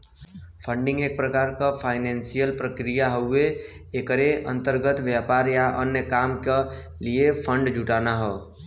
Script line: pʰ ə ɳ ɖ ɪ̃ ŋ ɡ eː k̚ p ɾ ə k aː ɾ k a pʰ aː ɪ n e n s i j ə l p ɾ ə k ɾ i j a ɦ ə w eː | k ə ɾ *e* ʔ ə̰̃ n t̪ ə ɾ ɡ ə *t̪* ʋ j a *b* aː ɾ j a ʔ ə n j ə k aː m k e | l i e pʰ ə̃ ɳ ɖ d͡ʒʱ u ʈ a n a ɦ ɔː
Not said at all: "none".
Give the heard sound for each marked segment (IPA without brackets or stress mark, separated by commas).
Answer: e, t̪, p